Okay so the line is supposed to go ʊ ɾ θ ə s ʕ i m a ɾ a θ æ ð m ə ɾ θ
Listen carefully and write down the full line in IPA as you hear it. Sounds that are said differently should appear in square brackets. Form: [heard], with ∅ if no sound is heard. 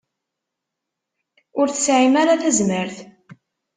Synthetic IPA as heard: ʊ ɾ θ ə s ʕ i m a ɾ a θ æ [z] m ə ɾ θ